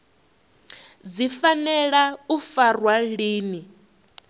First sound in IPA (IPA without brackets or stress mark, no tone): d͡z